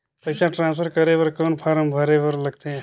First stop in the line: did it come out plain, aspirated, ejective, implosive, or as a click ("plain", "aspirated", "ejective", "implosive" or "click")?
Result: plain